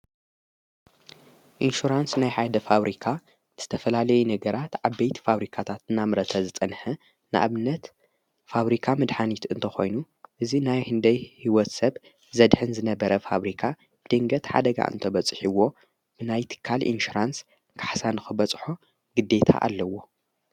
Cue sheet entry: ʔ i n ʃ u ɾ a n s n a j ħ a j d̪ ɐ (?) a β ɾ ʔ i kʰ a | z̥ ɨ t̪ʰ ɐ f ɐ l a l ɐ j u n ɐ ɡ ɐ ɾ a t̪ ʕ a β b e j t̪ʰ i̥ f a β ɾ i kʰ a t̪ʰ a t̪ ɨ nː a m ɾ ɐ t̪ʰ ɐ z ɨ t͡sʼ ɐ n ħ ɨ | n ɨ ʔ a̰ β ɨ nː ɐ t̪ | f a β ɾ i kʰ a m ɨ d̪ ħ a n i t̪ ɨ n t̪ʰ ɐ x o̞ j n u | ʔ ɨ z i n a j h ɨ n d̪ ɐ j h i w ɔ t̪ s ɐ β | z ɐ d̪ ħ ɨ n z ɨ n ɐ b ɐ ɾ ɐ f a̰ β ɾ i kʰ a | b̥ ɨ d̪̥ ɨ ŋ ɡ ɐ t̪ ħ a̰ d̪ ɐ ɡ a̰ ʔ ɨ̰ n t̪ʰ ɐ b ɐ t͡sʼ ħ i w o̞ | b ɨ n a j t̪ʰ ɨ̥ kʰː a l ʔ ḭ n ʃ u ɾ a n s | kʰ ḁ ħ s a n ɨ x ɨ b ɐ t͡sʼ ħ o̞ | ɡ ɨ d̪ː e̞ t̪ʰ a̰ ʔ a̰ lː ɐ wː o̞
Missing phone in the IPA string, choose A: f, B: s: A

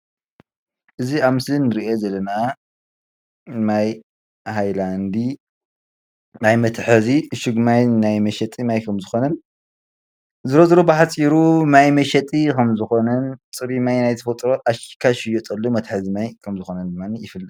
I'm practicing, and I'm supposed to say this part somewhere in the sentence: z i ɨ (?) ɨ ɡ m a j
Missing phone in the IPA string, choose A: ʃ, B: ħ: A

